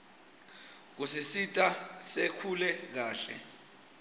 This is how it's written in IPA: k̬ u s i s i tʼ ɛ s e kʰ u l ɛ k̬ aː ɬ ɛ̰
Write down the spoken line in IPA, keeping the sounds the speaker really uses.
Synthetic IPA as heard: k̬ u s i s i tʼ a s e kʰ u l ɛ k̬ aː ɬ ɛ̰